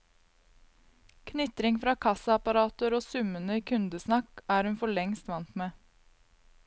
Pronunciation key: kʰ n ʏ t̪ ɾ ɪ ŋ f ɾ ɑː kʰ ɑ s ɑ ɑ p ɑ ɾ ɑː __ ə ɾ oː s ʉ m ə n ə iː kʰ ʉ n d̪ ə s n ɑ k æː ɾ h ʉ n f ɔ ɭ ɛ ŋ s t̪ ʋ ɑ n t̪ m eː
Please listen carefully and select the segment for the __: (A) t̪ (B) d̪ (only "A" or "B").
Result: A